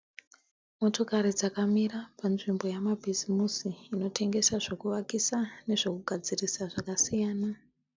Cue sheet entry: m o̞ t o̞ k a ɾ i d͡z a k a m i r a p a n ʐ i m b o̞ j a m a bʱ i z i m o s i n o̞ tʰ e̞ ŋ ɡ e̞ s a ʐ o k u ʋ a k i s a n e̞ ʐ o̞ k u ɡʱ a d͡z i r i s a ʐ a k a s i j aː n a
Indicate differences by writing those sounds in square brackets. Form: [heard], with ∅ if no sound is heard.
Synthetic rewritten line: m o̞ t o̞ k a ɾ i d͡z a k a m i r a p a n ʐ i m b o̞ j a m a bʱ i z i m [u] s [iː] n o̞ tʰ e̞ ŋ ɡ e̞ s a ʐ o k u ʋ a k i s a n e̞ ʐ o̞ k u ɡʱ a d͡z i r i s a ʐ a k a s i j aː n a